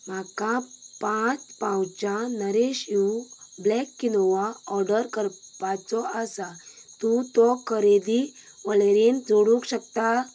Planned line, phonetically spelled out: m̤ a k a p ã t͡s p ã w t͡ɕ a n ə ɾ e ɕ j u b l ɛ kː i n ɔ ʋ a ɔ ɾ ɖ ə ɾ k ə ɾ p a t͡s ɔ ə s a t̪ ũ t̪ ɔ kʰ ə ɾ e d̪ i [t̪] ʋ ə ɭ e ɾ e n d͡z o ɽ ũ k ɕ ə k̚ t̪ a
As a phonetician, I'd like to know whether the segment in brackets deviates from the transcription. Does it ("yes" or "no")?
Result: yes